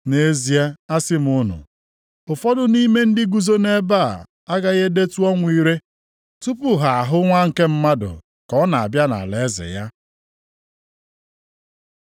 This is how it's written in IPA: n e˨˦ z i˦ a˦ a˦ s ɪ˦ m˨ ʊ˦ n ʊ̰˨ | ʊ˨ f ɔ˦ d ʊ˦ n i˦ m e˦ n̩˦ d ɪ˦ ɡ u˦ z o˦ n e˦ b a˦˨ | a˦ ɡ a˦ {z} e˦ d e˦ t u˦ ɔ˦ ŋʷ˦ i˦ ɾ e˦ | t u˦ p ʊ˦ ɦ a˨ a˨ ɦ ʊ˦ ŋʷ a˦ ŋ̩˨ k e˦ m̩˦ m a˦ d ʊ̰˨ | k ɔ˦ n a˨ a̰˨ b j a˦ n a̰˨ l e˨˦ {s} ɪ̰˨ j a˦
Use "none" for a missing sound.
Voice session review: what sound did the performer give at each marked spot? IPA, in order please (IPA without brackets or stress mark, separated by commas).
ɣ, z